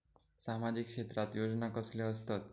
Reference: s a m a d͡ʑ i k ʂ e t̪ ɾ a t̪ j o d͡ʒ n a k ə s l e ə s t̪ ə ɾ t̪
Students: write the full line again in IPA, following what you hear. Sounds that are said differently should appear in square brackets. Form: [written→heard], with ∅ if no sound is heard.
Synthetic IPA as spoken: s a m a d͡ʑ i k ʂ e t̪ ɾ a t̪ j o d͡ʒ n a k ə s l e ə s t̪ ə [ɾ→∅] t̪

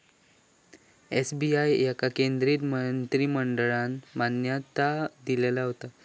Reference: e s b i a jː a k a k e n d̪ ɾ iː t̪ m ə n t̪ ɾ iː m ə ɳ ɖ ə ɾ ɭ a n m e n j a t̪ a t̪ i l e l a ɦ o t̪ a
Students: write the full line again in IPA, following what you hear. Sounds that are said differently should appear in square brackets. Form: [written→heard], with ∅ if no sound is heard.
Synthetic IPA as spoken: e s b i a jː a k a k e n d̪ ɾ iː t̪ m ə n t̪ ɾ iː m ə ɳ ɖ ə [ɾ→∅] ɭ a n m [e→a] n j a t̪ a [t̪→d̪] i l e l a ɦ o t̪ a

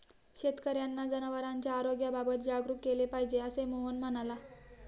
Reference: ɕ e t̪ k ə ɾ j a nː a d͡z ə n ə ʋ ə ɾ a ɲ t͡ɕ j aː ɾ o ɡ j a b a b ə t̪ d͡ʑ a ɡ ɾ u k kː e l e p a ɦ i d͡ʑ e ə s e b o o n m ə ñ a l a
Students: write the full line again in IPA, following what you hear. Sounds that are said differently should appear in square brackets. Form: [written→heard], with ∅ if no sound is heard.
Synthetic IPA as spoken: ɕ e t̪ k ə ɾ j a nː a d͡z ə n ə ʋ ə ɾ a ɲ t͡ɕ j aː ɾ o ɡ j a b a b ə t̪ d͡ʑ a ɡ ɾ u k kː e l e p a ɦ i d͡ʑ e ə s e [b→m] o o n m ə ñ a l a

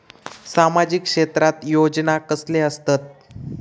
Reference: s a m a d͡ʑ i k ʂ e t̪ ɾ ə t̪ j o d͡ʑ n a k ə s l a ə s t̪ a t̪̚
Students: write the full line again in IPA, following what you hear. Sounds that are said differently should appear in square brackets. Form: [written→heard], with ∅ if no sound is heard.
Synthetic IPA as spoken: s a m a d͡ʑ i k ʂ e t̪ ɾ [ə→a] t̪ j o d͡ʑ n a k ə s l [a→e] ə s t̪ a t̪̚

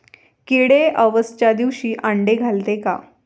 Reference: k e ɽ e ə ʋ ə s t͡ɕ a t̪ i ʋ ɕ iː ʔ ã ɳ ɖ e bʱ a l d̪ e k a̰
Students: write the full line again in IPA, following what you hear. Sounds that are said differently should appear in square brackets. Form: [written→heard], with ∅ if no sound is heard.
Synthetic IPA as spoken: k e ɽ e ə ʋ ə s t͡ɕ a [t̪→d̪] i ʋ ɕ iː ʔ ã ɳ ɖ e [bʱ→ɡʱ] a l [d̪→t̪] e k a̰

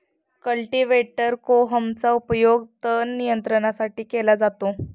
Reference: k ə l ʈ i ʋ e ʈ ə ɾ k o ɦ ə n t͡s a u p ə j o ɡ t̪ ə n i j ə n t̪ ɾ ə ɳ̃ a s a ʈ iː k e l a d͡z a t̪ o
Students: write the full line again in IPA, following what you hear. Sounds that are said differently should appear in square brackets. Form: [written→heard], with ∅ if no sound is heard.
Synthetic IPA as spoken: k ə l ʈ i ʋ e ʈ ə ɾ k o ɦ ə [n→m] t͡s a u p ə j o ɡ t̪ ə n i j ə n t̪ ɾ ə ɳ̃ a s a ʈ iː k e l a d͡z a t̪ o

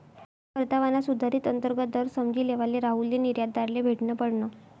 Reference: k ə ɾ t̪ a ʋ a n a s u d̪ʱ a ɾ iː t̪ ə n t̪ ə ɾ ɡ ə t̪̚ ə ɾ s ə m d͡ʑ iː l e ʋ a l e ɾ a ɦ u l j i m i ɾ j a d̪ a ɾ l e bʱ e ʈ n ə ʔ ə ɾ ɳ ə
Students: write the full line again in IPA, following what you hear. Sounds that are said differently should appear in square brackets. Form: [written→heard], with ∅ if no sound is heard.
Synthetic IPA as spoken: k ə ɾ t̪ a ʋ a n a s u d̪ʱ a ɾ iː t̪ ə n t̪ ə ɾ ɡ ə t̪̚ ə ɾ s ə m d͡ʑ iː l e ʋ a l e ɾ a ɦ u l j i [m→n] i ɾ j a d̪ a ɾ l e bʱ e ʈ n ə [ʔ→p] ə [ɾ→ɽ] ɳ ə

